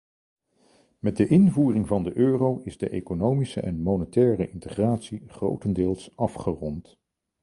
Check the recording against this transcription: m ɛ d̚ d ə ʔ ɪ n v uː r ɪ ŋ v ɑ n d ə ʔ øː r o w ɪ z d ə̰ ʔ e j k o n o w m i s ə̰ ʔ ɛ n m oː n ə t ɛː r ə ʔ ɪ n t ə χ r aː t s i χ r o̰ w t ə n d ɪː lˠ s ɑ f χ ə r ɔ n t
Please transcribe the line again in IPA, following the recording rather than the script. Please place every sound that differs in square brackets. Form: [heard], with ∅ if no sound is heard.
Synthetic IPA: m ɛ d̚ d ə ʔ ɪ n v uː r ɪ ŋ v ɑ n d ə ʔ øː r o w ɪ z d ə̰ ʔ e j k o n o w m i s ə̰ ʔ ɛ n m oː n ə t ɛː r ə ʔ ɪ n t ə χ r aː t s i χ r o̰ w t ə n d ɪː lˠ s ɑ f χ ə r ɔ n t